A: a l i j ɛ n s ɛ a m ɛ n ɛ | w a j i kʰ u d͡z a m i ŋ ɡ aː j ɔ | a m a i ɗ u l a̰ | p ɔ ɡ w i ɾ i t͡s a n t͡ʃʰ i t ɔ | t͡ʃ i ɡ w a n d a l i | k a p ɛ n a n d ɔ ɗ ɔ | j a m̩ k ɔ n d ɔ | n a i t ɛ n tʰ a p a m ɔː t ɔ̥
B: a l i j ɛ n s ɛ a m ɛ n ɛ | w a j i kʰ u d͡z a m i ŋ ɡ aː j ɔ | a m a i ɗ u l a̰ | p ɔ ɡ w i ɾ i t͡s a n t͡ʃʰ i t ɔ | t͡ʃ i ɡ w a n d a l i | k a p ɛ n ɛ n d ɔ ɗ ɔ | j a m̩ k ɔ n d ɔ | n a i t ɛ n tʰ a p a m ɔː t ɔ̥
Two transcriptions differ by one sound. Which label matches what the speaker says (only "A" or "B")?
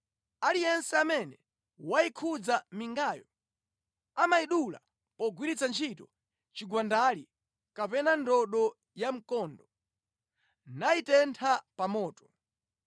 A